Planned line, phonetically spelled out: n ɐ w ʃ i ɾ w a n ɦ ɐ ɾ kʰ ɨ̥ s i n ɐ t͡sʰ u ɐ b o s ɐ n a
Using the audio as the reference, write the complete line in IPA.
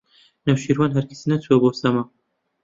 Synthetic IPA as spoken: n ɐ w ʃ i ɾ w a n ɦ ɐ ɾ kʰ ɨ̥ s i n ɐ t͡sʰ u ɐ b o s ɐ m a